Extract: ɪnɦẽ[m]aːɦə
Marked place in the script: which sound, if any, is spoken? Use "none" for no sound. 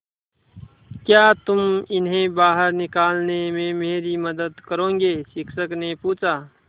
b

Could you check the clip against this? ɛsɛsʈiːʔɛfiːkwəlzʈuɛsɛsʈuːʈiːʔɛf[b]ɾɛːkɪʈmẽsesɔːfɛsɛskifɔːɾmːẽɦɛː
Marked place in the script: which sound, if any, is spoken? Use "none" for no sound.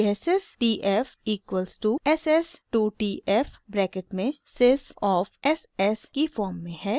b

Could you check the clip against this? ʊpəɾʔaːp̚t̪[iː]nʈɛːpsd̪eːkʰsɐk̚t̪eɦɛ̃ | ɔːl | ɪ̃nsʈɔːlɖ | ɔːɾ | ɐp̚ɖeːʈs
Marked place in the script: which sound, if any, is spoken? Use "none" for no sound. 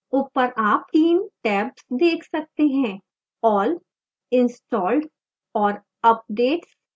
iː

